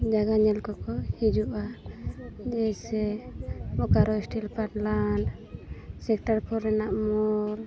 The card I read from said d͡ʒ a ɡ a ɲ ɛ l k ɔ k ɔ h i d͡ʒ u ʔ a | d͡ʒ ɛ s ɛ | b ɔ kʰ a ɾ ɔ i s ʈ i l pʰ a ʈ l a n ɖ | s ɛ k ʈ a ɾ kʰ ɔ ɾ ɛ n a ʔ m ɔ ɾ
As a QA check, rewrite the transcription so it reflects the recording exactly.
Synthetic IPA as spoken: d͡ʒ a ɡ a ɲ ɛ l k ɔ k ɔ h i d͡ʒ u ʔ a | d͡ʒ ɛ s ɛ | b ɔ k a ɾ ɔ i s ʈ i l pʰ a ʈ l a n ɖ | s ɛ k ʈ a ɾ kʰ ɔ ɾ ɛ n a ʔ m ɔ ɾ